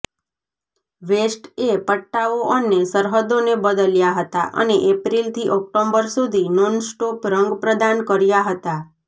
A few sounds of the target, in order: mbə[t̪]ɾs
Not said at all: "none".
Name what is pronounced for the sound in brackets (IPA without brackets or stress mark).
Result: none